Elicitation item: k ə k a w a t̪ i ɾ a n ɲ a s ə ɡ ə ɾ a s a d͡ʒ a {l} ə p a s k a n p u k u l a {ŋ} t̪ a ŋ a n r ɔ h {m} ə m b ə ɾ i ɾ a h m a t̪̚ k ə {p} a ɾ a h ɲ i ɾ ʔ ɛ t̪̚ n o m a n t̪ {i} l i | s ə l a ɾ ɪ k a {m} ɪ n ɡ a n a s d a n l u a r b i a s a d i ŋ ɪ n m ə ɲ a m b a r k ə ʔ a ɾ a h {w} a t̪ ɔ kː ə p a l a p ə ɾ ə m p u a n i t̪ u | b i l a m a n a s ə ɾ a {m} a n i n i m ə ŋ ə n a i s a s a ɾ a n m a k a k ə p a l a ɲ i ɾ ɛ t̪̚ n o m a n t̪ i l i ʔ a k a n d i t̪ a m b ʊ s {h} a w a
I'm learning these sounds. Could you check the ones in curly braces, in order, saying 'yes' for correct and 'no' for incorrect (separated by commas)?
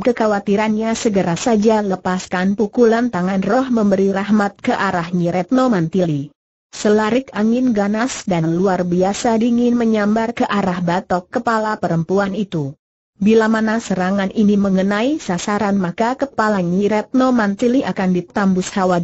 yes, no, yes, no, yes, no, no, no, yes